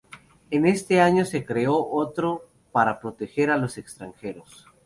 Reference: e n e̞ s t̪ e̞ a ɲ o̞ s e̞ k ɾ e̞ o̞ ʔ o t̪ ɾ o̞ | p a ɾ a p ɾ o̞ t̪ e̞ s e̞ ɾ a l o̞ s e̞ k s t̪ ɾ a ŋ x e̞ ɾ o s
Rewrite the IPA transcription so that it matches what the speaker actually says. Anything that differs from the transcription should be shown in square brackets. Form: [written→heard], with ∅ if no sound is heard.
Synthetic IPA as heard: e n e̞ s t̪ e̞ a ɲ o̞ s e̞ k ɾ e̞ o̞ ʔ o t̪ ɾ o̞ | p a ɾ a p ɾ o̞ t̪ e̞ [s→x] e̞ ɾ a l o̞ s e̞ k s t̪ ɾ a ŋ x e̞ ɾ o s